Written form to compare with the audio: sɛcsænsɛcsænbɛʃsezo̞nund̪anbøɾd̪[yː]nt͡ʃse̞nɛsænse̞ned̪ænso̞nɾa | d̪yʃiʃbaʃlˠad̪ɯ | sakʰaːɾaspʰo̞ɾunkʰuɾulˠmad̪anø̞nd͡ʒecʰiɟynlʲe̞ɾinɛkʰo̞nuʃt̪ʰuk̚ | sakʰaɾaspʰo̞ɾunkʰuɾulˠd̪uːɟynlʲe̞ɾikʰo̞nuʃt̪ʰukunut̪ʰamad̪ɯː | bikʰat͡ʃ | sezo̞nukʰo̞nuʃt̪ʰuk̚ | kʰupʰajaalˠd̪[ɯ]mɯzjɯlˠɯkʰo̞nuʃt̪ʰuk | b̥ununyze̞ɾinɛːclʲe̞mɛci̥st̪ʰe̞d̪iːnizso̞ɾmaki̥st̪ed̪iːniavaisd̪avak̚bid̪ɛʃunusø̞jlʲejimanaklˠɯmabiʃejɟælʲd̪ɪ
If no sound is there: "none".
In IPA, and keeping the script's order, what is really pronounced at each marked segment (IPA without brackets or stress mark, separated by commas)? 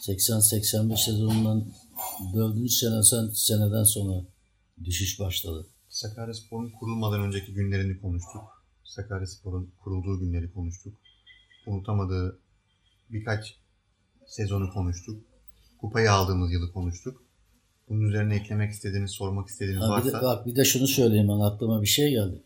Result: y, ɯː